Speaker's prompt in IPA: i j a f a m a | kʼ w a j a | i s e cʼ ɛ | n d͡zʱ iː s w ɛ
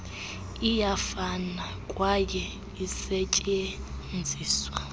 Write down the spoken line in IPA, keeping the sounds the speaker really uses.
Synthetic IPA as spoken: i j a f a n a | kʼ w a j ɛ | i s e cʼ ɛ | n d͡zʱ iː s w a